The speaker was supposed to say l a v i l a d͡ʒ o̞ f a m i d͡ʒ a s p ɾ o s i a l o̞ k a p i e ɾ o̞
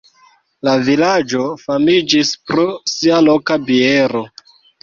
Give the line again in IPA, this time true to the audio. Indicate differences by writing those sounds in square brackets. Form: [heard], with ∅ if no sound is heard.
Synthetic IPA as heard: l a v i l a d͡ʒ o̞ f a m i d͡ʒ [i] s p ɾ o s i a l o̞ k a [b] i e ɾ o̞